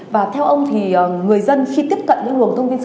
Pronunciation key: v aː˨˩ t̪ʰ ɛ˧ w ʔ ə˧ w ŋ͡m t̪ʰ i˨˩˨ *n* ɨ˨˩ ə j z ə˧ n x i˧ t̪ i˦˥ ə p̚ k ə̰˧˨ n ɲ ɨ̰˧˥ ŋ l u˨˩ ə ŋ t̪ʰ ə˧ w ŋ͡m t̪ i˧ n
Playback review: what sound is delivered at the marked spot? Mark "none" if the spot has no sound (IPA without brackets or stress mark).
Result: ŋ